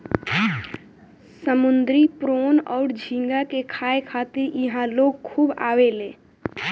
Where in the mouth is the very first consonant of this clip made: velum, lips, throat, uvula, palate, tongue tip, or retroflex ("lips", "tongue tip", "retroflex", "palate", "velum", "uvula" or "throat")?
tongue tip